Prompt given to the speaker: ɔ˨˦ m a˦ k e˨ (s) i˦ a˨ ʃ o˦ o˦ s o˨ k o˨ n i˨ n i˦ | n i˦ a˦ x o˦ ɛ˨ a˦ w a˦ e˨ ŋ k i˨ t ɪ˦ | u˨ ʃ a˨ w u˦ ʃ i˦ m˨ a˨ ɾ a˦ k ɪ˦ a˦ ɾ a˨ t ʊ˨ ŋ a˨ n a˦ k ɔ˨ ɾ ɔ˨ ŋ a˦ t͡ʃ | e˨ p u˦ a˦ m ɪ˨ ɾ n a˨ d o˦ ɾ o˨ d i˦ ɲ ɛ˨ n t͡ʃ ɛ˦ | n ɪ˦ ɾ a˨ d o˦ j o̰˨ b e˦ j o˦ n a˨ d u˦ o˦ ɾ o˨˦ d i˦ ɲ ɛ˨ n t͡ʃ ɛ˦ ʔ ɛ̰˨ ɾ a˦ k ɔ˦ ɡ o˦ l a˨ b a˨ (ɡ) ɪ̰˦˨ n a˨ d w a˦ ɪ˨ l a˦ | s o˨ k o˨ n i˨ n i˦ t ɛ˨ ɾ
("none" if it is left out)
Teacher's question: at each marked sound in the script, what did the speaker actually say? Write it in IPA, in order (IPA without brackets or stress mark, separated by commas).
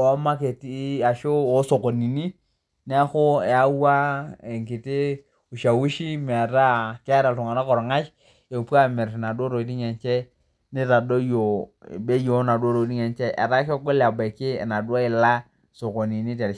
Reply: t, k